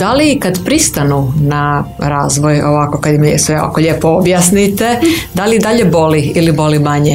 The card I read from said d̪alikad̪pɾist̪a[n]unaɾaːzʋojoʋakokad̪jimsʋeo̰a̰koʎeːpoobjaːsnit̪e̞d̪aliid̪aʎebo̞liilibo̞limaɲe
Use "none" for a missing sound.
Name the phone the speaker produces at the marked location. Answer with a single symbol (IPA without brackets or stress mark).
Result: n